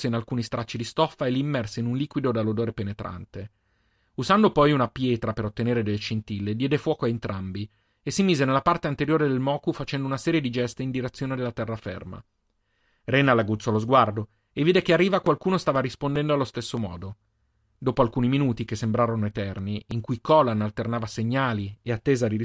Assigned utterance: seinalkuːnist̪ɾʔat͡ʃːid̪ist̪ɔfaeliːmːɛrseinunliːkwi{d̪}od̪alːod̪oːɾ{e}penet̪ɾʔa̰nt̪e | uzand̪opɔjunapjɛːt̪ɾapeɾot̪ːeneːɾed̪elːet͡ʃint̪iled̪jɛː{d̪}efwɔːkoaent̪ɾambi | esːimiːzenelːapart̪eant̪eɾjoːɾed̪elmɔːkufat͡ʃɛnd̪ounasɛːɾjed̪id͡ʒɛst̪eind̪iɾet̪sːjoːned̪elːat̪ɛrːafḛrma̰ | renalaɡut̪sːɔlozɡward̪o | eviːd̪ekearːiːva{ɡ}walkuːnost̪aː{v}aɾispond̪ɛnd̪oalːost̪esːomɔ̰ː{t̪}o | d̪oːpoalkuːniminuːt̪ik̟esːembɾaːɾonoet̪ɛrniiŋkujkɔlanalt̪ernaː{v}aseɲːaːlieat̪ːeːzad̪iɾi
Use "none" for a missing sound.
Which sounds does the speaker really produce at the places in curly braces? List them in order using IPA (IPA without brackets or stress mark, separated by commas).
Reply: d̪, e, d̪, k, v, d̪, v